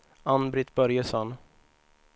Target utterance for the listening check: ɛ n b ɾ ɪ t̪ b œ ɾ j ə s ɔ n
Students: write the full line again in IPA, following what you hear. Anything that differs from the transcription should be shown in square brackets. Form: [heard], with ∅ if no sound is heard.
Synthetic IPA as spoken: [a] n b ɾ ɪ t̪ b œ ɾ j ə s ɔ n